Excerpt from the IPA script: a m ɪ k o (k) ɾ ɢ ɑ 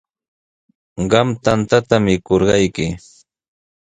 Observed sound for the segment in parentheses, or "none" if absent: none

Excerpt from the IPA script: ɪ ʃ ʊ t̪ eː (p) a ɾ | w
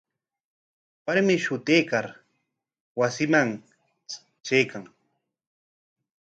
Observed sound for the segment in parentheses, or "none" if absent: k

